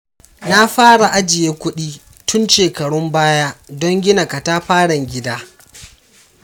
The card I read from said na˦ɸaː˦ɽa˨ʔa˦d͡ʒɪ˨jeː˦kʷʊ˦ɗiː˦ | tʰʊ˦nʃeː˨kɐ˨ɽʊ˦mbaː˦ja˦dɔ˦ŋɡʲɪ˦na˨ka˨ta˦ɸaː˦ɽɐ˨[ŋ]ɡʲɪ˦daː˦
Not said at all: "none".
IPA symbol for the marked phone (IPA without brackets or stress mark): ŋ